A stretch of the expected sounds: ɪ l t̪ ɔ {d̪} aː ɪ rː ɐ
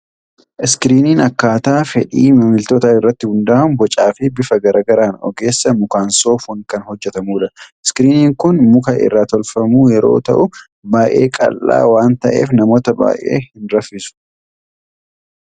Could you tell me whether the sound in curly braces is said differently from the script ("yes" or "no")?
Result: yes